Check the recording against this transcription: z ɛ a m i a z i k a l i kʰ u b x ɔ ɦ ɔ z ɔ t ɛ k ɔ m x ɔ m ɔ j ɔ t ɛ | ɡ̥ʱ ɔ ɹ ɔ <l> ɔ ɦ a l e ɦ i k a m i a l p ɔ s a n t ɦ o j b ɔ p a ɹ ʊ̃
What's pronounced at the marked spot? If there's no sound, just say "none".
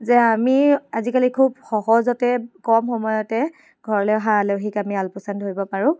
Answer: l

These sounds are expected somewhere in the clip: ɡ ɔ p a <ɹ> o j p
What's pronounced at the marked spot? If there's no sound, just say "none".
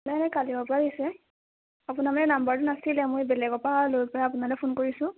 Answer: l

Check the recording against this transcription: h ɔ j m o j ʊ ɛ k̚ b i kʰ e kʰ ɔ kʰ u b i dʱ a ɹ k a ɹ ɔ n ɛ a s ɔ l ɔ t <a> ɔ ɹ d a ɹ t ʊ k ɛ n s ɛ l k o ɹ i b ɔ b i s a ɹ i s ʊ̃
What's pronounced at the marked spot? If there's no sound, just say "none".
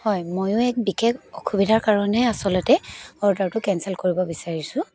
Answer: ɛ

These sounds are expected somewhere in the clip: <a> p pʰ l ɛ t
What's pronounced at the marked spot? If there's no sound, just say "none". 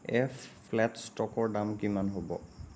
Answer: ɛ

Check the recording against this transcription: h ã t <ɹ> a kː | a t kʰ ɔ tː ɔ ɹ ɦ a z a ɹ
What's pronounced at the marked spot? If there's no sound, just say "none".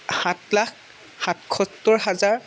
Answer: l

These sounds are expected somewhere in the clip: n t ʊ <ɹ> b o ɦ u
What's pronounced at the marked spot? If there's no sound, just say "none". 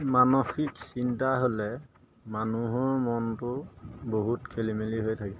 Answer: none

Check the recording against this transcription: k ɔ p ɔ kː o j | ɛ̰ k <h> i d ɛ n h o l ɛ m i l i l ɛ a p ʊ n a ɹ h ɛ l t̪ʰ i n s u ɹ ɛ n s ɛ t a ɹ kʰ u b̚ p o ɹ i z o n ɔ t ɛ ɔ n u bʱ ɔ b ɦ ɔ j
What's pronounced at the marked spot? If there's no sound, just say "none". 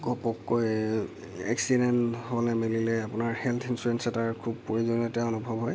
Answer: s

